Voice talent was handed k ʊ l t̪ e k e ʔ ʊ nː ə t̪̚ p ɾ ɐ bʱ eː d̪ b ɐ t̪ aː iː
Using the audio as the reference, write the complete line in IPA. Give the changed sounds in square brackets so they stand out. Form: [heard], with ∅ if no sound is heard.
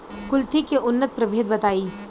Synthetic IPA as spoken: k ʊ l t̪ [i] k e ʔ ʊ nː ə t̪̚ p ɾ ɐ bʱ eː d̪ b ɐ t̪ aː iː

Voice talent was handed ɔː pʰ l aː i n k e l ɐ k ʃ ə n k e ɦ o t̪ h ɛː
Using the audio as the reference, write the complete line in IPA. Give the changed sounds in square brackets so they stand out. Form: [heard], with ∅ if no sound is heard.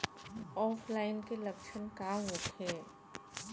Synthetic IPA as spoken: ɔː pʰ l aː [ɪ] n k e l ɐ k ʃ ə n k [a] ɦ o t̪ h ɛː

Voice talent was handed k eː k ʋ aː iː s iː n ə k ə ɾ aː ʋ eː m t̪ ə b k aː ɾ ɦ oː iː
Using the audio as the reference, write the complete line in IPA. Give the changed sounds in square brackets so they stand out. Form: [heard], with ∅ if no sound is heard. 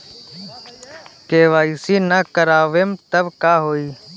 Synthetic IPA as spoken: k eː [∅] ʋ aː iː s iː n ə k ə ɾ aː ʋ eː m t̪ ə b k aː [∅] ɦ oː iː

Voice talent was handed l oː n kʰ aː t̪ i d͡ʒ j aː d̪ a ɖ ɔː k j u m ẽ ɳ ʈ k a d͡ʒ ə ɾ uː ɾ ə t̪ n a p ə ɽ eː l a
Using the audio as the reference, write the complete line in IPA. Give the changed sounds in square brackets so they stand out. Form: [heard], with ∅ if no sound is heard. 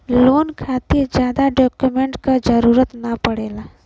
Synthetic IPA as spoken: l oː n kʰ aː t̪ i d͡ʒ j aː d̪ a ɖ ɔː k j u m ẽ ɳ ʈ k a d͡ʒ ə ɾ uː ɾ ə t̪ n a p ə ɽ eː l a

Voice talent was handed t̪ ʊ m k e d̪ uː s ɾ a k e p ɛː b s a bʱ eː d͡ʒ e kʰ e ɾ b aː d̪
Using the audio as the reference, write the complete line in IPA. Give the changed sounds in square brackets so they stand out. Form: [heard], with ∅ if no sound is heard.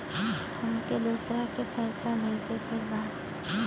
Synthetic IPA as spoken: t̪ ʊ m k e d̪ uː s ɾ a k e p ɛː [∅] s a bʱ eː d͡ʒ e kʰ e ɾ b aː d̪

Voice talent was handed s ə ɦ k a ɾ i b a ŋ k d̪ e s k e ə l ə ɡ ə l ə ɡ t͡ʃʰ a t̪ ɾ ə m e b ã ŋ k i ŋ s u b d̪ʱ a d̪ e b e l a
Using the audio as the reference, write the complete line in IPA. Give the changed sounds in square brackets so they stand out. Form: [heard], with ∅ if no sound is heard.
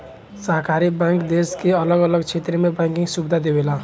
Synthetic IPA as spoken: s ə ɦ k a ɾ i b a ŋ k d̪ e s k e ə l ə ɡ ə l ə ɡ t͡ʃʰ [e] t̪ ɾ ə m e b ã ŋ k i ŋ s u b d̪ʱ a d̪ e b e l a

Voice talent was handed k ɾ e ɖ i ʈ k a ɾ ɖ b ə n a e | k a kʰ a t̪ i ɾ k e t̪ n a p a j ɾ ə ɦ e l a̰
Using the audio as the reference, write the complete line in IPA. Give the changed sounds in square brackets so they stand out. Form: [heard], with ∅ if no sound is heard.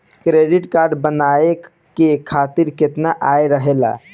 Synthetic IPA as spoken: k ɾ e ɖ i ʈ k a ɾ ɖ b ə n a e | k [e] kʰ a t̪ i ɾ k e t̪ n a [ʔ] a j ɾ ə ɦ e l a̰

